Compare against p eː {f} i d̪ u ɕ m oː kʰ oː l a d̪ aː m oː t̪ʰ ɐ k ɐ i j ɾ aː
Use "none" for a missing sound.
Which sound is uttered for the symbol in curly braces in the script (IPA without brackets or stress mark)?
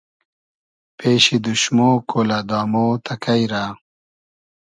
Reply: ɕ